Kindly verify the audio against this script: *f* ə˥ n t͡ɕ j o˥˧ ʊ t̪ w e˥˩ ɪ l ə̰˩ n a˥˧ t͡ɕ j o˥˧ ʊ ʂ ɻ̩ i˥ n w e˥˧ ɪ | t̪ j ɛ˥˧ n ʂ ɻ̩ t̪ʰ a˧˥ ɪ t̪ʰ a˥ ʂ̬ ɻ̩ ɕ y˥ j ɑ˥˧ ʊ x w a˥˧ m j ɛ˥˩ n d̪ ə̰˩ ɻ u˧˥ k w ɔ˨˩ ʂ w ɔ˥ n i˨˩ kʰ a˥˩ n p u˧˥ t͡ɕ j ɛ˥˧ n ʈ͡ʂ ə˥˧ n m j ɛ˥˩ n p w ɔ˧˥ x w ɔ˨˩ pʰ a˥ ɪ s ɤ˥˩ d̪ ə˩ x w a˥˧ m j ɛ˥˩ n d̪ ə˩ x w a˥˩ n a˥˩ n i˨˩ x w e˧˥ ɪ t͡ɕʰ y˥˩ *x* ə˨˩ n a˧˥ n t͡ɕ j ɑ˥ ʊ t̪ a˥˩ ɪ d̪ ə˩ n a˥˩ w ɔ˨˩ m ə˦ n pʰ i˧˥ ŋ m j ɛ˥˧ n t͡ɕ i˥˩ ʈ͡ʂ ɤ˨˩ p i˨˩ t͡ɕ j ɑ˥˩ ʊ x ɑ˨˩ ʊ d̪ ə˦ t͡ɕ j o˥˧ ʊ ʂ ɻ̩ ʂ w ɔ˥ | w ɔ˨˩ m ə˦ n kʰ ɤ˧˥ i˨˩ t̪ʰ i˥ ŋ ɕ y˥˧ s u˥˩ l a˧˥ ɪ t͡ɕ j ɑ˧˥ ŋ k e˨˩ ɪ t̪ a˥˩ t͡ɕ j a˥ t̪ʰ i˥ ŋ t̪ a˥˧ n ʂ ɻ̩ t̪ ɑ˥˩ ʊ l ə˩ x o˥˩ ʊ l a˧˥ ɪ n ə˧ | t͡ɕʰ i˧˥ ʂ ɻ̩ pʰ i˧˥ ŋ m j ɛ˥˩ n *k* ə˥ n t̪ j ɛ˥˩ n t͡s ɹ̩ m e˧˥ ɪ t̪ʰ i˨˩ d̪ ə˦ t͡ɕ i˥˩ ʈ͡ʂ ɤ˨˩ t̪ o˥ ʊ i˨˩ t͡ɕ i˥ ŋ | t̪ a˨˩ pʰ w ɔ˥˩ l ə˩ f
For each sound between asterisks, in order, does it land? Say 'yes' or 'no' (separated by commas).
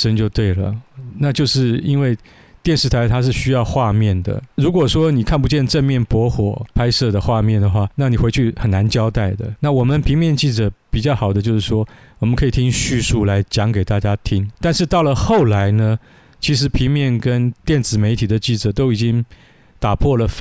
no, yes, yes